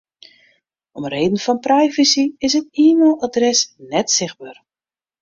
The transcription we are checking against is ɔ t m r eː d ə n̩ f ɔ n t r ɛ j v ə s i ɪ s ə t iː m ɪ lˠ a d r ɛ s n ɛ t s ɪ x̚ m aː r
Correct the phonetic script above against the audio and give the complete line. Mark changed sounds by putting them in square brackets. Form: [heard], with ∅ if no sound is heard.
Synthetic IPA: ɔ [∅] m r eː d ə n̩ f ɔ n [p] r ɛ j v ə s i ɪ s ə t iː m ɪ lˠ a d r ɛ s n ɛ t s ɪ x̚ [b] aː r

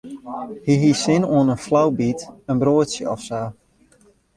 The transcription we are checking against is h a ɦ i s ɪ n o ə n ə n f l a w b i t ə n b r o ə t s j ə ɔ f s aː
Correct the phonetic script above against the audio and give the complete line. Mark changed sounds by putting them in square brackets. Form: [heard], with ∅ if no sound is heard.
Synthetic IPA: h [i] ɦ i s ɪ n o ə n ə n f l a w b i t ə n b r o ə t s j ə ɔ f s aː

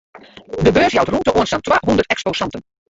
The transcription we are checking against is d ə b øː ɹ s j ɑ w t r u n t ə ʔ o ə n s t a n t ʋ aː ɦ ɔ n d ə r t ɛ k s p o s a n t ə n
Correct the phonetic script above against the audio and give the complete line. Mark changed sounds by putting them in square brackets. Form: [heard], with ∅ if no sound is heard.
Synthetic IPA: d ə b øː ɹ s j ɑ w t r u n t ə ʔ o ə n s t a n t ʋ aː ɦ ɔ n d ə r t ɛ k s p o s [ɑ] n t ə n

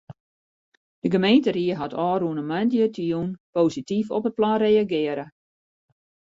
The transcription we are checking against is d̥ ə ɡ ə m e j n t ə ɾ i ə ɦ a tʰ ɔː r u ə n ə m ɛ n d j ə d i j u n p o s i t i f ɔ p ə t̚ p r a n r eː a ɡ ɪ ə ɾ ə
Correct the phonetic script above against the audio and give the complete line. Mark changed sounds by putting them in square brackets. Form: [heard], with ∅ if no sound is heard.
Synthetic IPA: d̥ ə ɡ ə m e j n t ə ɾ i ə ɦ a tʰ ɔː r u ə n ə m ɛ n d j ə [t] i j u n p o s i t i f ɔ p ə t̚ p [l] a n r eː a ɡ ɪ ə ɾ ə

